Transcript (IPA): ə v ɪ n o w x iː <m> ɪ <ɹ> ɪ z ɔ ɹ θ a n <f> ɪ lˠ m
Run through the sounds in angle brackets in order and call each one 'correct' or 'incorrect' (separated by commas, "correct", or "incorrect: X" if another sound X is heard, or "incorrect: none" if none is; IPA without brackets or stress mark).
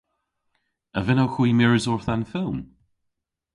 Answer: correct, correct, correct